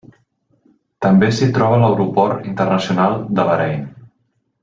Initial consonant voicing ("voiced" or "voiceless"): voiceless